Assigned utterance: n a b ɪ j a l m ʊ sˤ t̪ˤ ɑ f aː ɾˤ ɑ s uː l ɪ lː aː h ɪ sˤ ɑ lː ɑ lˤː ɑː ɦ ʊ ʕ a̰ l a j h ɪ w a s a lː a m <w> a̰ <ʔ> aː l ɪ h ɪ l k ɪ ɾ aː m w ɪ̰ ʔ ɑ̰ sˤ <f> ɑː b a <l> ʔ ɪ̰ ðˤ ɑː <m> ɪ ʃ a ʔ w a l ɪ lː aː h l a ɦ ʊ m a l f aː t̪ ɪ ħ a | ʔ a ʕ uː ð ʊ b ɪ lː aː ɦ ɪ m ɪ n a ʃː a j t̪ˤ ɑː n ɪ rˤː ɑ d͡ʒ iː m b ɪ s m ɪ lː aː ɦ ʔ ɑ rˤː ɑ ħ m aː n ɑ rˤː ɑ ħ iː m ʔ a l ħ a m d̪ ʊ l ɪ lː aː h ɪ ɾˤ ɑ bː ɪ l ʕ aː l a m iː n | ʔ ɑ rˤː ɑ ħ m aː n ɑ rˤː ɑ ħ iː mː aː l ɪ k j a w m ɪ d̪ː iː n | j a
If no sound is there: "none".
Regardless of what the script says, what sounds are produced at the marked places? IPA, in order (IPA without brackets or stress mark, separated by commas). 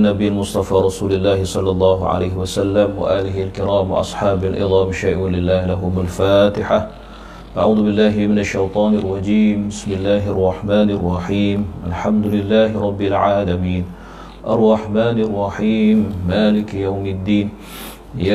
w, ʔ, ħ, l, m